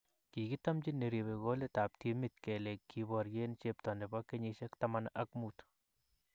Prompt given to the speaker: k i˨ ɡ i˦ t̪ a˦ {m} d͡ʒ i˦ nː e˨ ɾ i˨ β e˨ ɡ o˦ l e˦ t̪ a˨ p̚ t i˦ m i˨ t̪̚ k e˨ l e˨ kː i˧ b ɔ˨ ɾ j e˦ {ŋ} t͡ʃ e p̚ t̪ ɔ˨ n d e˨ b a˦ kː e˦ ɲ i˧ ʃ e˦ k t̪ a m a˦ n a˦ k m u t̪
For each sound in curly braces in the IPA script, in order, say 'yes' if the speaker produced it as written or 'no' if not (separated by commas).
yes, no